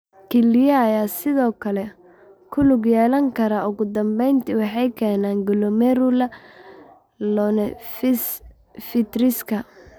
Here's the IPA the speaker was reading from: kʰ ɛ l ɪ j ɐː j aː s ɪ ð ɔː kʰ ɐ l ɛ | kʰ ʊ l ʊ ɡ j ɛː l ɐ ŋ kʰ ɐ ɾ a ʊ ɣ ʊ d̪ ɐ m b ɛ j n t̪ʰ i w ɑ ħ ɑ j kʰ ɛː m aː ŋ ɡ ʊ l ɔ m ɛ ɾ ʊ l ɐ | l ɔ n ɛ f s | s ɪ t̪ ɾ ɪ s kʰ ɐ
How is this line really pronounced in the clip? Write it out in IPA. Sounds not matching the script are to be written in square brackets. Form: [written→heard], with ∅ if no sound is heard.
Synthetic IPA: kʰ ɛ l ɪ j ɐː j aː s ɪ ð ɔː kʰ ɐ l ɛ | kʰ ʊ l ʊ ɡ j ɛː l ɐ ŋ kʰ ɐ ɾ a ʊ ɣ ʊ d̪ ɐ m b ɛ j n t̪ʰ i w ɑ ħ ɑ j kʰ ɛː [m→n] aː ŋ ɡ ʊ l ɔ m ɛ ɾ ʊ l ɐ | l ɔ n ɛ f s | [s→f] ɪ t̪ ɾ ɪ s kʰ ɐ